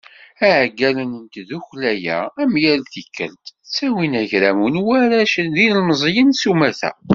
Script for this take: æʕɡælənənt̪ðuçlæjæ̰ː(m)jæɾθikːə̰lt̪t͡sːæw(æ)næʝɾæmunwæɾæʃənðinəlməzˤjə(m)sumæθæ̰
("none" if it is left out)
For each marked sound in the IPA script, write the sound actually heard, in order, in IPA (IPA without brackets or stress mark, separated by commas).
m, i, n